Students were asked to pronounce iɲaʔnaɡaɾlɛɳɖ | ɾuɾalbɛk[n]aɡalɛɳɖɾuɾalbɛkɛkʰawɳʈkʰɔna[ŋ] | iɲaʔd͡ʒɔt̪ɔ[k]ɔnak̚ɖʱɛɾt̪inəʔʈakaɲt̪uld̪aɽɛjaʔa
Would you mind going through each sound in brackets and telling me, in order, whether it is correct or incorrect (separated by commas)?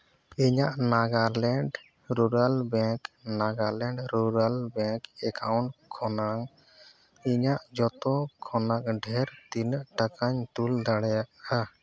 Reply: correct, correct, incorrect